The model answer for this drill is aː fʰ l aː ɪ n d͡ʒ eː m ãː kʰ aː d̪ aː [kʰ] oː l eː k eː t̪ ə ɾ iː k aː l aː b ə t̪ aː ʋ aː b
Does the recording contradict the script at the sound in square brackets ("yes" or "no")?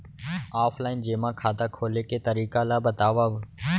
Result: no